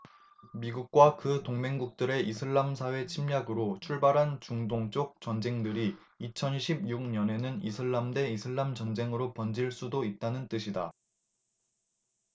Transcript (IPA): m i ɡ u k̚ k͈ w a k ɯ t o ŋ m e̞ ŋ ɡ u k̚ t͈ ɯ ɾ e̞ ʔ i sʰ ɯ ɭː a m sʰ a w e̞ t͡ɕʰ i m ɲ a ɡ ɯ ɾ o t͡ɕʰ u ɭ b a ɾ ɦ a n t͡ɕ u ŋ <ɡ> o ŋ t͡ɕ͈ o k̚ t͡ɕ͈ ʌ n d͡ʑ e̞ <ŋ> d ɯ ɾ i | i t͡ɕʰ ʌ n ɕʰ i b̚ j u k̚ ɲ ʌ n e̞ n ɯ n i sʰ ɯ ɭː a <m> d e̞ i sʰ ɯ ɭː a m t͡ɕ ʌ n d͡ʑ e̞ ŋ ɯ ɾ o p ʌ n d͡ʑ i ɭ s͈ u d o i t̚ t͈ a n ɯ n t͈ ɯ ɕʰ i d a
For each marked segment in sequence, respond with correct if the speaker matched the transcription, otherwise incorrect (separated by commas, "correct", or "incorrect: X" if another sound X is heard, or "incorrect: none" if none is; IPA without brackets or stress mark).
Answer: incorrect: d, correct, correct